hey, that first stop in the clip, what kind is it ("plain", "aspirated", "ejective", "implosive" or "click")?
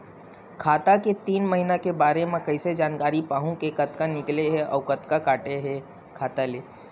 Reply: aspirated